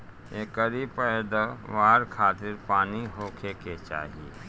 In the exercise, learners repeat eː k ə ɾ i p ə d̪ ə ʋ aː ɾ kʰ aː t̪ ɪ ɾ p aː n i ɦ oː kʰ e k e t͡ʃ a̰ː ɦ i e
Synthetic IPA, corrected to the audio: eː k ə ɾ i p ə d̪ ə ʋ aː ɾ kʰ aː t̪ ɪ ɾ p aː n i ɦ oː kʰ e k e t͡ʃ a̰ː ɦ i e